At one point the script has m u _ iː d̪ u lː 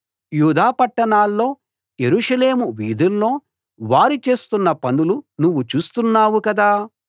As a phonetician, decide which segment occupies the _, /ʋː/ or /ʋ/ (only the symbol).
ʋ